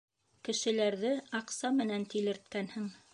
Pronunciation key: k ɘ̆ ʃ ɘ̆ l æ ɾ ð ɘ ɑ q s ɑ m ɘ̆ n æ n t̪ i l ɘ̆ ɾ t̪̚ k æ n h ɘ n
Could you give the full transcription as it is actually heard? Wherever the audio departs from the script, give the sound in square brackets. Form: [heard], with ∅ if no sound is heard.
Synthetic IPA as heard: k ɘ̆ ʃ ɘ̆ l æ ɾ ð ɘ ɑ q s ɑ m ɘ̆ n æ n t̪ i l ɘ̆ ɾ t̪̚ k æ n h ɘ [ŋ]

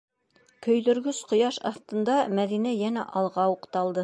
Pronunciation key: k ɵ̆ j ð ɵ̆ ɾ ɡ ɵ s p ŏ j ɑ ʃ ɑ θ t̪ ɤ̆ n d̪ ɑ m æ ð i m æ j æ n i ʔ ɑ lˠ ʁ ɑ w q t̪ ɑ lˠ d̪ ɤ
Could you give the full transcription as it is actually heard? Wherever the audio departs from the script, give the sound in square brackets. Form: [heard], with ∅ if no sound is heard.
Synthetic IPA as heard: k ɵ̆ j ð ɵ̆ ɾ ɡ ɵ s [q] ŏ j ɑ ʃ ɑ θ t̪ ɤ̆ n d̪ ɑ m æ ð i [n] æ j æ n [æ] ʔ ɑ lˠ ʁ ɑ [u] q t̪ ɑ lˠ d̪ ɤ

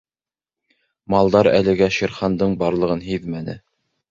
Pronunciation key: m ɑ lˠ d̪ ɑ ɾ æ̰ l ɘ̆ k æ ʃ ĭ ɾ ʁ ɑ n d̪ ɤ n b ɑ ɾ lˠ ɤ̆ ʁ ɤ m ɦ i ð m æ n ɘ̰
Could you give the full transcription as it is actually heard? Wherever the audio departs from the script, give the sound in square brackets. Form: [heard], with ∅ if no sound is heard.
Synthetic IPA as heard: m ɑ lˠ d̪ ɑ ɾ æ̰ l ɘ̆ [ɡ] æ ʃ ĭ ɾ [χ] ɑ n d̪ ɤ [ɴ] b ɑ ɾ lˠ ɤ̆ ʁ ɤ [n] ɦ i ð m æ n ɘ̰

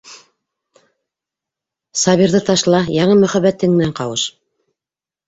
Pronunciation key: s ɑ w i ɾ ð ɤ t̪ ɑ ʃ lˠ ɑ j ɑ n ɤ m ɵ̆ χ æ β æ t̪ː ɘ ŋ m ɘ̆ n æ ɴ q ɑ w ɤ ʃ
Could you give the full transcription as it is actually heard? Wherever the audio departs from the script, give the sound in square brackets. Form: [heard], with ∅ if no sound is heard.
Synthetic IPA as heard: s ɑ [β] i ɾ ð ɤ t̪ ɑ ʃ lˠ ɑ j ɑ [ɴ] ɤ m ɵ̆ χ æ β æ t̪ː ɘ ŋ m ɘ̆ n æ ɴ q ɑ w ɤ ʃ

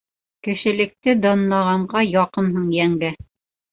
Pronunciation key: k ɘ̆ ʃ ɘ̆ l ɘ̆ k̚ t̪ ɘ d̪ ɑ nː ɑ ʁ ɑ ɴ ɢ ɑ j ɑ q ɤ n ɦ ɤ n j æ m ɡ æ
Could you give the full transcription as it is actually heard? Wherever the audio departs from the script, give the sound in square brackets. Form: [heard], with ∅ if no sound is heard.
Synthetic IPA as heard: k ɘ̆ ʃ ɘ̆ l ɘ̆ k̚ t̪ ɘ d̪ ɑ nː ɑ ʁ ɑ ɴ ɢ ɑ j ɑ q ɤ n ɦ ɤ [ɴ] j æ [ŋ] ɡ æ

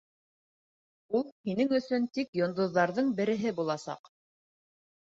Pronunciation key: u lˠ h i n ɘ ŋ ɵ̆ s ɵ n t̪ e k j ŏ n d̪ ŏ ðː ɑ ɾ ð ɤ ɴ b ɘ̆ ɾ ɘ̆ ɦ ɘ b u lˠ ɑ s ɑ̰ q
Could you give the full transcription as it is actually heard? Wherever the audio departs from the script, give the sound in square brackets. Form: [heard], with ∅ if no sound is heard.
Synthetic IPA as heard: u lˠ h i n ɘ ŋ ɵ̆ s ɵ n t̪ [i] k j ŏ n d̪ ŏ ðː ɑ ɾ ð ɤ ɴ b ɘ̆ ɾ ɘ̆ ɦ ɘ b u lˠ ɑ s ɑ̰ q

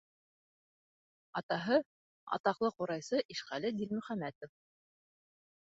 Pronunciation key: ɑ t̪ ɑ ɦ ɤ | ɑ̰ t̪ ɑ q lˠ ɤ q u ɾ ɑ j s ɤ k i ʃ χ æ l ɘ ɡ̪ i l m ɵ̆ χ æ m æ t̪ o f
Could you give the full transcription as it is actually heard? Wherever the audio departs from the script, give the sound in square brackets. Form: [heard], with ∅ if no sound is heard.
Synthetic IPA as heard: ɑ t̪ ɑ ɦ ɤ | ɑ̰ t̪ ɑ q lˠ ɤ q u ɾ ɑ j s ɤ [ʔ] i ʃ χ æ l ɘ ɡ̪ i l m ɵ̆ χ æ m æ t̪ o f

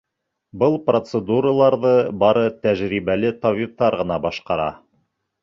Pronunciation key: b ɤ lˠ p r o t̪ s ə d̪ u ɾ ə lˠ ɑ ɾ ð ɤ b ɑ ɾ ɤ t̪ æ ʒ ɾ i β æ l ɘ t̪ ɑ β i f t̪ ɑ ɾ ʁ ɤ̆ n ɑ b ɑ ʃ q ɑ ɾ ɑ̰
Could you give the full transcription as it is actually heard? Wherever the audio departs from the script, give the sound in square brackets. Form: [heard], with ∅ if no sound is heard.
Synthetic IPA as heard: b ɤ lˠ p r o t̪ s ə d̪ u ɾ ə lˠ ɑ ɾ ð ɤ b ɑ ɾ ɤ t̪ æ ʒ ɾ i β æ l ɘ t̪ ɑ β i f t̪ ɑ ɾ ʁ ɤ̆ n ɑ b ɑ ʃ q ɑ ɾ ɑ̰

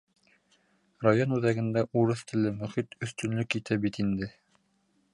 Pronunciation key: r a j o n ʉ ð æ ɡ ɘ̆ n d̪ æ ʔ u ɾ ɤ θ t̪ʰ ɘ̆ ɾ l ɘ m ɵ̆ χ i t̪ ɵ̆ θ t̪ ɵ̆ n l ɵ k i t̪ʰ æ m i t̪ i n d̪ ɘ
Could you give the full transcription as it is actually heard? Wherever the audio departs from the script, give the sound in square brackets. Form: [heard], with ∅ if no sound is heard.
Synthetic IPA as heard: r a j o n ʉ ð æ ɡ ɘ̆ n d̪ æ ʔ u ɾ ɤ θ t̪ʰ ɘ̆ [∅] l ɘ m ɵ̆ χ i t̪ ɵ̆ θ t̪ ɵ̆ n l ɵ k i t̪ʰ æ [b] i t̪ i n d̪ ɘ

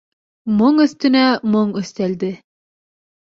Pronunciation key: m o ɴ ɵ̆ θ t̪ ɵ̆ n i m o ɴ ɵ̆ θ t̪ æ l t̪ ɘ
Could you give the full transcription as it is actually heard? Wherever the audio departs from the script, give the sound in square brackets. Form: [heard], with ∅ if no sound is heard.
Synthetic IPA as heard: m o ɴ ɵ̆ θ t̪ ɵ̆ n [æ] m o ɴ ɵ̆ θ t̪ æ l [d̪] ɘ

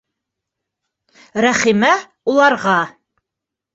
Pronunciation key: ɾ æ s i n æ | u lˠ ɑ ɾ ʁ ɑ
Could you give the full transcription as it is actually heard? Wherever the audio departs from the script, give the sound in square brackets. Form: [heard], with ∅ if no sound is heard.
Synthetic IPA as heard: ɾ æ [χ] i [m] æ | u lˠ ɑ ɾ ʁ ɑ

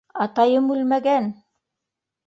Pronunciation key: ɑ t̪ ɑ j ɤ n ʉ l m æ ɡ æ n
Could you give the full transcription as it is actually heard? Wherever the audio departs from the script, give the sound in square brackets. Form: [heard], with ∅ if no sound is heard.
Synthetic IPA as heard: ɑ t̪ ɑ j ɤ [m] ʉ l m æ ɡ æ n

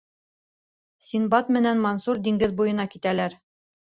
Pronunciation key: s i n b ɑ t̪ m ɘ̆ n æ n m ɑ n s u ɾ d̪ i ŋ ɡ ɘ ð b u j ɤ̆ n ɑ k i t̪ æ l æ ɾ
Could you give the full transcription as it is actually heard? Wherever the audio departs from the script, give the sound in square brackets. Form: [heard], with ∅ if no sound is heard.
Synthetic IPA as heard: s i n b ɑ t̪ m ɘ̆ n æ n m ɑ n s u ɾ d̪ i ŋ ɡ ɘ ð b u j ɤ̆ n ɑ k i t̪ æ l æ ɾ

